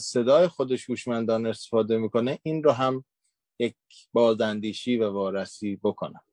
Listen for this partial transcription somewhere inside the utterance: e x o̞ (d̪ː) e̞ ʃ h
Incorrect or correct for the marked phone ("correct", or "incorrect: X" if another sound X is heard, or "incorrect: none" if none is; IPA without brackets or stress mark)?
incorrect: d̪